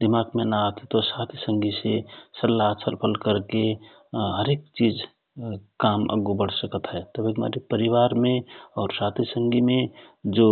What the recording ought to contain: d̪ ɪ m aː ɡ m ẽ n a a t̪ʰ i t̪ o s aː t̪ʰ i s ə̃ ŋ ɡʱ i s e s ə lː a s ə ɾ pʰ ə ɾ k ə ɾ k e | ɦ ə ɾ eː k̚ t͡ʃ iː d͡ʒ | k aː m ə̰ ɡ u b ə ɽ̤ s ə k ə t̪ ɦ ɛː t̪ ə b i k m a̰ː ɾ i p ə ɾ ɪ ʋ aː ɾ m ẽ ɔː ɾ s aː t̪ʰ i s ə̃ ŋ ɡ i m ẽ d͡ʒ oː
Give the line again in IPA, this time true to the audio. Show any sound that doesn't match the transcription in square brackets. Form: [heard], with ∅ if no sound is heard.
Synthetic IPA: d̪ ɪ m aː ɡ m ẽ n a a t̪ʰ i t̪ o s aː t̪ʰ i s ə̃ ŋ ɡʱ i s e s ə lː a s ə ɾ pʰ ə [l] k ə ɾ k e | ɦ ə ɾ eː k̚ t͡ʃ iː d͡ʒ | k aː m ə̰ ɡ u b ə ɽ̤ s ə k ə t̪ ɦ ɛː t̪ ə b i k m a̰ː ɾ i p ə ɾ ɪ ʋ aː ɾ m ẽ ɔː ɾ s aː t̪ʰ i s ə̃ ŋ ɡ i m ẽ d͡ʒ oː